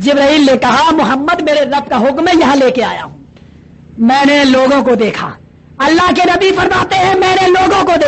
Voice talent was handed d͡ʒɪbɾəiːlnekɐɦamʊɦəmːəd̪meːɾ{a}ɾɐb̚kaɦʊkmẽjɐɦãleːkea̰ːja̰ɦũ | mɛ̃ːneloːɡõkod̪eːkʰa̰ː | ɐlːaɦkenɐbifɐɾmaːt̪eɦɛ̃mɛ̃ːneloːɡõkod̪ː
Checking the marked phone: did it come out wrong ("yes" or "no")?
yes